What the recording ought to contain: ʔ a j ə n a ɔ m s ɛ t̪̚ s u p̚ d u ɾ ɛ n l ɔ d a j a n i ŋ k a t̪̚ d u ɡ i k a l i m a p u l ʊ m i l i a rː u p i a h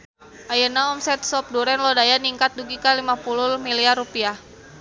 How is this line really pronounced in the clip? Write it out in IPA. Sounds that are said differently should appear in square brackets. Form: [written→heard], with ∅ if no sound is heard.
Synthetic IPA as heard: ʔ a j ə n a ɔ m s ɛ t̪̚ s [u→ɔ] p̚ d u ɾ ɛ n l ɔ d a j a n i ŋ k a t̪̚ d u ɡ i k a l i m a p u l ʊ m i l i a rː u p i a h